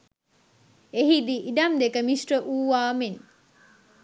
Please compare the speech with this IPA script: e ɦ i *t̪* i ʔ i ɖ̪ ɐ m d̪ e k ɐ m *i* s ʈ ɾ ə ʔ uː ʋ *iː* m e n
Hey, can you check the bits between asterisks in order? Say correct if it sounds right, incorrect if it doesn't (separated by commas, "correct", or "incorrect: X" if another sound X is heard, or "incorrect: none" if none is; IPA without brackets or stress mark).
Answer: incorrect: d̪, correct, incorrect: aː